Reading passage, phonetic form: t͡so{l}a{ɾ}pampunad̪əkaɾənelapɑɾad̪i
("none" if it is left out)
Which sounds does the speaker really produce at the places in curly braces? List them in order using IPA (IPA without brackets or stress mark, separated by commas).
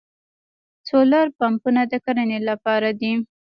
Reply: l, ɾ